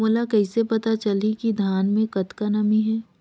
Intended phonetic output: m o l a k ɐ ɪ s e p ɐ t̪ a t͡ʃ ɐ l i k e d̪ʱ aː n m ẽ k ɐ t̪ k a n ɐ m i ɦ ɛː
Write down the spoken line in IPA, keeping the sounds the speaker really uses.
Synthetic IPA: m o l a k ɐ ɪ s e p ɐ t̪ a t͡ʃ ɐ l i k i d̪ʱ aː n m ẽ k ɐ t̪ k a n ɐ m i ɦ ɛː